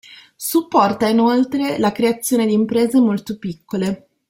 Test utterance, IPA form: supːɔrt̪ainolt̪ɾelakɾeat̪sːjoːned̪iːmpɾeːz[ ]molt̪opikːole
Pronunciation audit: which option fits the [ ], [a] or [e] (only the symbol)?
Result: e